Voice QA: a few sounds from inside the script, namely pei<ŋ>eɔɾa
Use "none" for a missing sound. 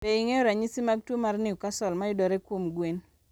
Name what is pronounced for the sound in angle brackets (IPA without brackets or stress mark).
ŋ